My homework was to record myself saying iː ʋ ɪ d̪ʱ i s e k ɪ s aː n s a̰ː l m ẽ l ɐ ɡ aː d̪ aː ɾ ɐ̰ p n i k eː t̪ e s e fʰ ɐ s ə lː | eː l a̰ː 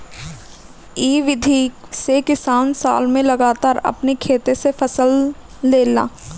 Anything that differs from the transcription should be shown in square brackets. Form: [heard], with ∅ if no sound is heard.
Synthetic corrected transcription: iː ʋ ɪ d̪ʱ i s e k ɪ s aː n s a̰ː l m ẽ l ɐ ɡ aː [t̪] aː ɾ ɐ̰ p n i [kʰ] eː t̪ e s e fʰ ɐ s ə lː | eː l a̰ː